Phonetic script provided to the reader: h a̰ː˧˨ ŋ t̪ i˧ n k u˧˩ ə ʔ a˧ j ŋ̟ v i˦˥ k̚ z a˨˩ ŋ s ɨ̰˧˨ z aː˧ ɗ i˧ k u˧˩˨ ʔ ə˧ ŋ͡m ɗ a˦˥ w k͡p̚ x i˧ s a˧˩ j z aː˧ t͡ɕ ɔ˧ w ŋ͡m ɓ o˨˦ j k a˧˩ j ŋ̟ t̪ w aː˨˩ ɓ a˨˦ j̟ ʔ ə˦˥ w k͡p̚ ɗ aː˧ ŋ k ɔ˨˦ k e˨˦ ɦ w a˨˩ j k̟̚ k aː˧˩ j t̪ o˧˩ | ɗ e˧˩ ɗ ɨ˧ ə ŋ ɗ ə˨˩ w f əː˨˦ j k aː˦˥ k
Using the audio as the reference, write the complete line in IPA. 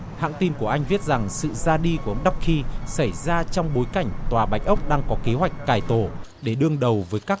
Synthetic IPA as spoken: h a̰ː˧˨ ŋ t̪ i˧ n k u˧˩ ə ʔ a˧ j ŋ̟ v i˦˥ t̚ z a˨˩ ŋ s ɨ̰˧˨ z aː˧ ɗ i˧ k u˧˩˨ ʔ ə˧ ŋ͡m ɗ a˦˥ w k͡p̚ x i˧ s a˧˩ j z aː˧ t͡ɕ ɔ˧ w ŋ͡m ɓ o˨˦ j k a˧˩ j ŋ̟ t̪ w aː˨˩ ɓ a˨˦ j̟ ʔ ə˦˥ w k͡p̚ ɗ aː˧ ŋ k ɔ˨˦ k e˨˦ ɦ w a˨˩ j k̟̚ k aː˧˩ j t̪ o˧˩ | ɗ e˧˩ ɗ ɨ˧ ə ŋ ɗ ə˨˩ w v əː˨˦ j k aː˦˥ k